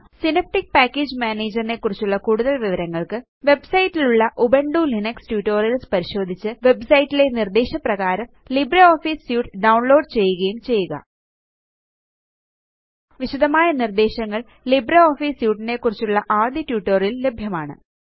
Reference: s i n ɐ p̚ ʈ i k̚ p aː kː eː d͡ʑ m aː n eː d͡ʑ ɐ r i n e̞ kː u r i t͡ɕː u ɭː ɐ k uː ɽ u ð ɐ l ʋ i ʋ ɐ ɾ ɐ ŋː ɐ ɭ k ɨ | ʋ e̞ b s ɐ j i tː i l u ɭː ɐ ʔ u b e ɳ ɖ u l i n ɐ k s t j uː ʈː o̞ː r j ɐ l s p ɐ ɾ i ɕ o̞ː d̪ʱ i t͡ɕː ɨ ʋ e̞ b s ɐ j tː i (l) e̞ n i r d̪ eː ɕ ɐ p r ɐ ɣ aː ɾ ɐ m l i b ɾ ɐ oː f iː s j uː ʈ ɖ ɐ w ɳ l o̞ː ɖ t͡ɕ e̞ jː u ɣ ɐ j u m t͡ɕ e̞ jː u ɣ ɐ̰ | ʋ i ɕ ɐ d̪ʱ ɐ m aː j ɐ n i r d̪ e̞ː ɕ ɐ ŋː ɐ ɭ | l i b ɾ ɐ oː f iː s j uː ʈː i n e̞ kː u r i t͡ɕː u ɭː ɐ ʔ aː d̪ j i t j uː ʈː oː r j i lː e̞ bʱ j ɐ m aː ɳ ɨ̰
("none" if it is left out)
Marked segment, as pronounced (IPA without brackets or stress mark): l